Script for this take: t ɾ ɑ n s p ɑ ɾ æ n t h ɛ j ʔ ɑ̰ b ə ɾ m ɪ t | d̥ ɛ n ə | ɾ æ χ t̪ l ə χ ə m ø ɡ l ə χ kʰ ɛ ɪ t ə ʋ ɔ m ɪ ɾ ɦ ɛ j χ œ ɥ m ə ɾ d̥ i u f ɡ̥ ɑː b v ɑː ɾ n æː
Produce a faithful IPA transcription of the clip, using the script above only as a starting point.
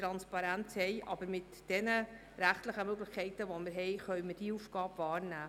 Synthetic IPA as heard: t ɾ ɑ n s p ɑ ɾ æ n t h ɛ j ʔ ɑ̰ b ə ɾ m ɪ t | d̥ ɛ n ə | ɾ æ χ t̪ l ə χ ə m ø ɡ l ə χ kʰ ɛ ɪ t ə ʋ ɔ m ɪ ɾ ɦ ɛ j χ œ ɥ m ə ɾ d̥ i u f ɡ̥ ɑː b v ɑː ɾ n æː

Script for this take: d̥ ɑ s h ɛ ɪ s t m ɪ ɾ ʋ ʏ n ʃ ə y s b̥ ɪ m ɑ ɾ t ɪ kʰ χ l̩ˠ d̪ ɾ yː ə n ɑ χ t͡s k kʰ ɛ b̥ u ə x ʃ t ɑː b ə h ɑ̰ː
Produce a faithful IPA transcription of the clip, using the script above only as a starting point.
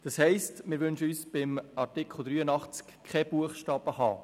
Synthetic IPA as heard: d̥ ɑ s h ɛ ɪ s t m ɪ ɾ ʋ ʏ n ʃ ə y s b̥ ɪ m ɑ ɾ t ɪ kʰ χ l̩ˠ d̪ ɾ yː ə n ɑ χ t͡s k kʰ ɛ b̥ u ə χ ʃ t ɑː b ə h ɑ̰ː

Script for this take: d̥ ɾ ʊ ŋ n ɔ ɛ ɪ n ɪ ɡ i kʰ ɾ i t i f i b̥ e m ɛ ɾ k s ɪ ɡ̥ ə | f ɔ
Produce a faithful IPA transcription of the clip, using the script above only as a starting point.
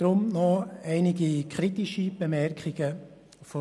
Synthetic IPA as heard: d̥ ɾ ʊ m n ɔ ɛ ɪ n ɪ ɡ i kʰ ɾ i t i ʃ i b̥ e m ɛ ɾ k χ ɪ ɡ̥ ə | f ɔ

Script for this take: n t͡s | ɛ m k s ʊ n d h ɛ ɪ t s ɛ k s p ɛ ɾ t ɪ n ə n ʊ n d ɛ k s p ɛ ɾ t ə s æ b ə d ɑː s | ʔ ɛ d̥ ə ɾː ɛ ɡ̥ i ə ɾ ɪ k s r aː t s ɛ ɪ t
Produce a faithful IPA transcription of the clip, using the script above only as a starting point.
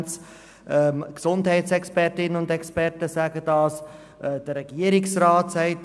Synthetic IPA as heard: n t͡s | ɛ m k s ʊ n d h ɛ ɪ t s ɛ k s p ɛ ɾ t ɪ n ə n ʊ n d ɛ k s p ɛ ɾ t ə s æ ɡ ə d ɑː s | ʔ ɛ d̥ ə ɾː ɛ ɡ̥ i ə ɾ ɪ k s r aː t s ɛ ɪ t

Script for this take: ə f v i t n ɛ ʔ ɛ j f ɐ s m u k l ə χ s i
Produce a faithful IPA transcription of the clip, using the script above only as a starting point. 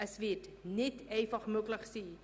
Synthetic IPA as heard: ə s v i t n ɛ t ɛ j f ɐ χ m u k l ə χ s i

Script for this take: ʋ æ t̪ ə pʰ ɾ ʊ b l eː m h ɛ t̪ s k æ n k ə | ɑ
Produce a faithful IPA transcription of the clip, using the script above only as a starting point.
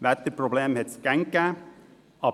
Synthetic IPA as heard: ʋ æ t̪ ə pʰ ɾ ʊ b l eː m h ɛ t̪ s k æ ŋ k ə | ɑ

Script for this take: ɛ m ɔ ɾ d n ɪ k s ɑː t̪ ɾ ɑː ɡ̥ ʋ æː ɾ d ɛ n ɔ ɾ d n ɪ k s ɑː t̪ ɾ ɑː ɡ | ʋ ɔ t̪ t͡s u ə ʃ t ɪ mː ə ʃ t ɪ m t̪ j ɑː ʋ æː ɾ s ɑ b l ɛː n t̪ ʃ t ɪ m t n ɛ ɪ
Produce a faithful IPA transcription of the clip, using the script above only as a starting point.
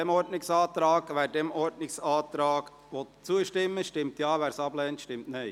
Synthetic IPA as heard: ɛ m ɔ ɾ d n ɪ k s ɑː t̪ ɾ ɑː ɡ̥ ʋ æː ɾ d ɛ m ɔ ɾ d n ɪ k s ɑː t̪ ɾ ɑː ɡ | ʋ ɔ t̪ t͡s u ə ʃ t ɪ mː ə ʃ t ɪ m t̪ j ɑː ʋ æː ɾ s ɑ b l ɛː n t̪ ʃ t ɪ m t n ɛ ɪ

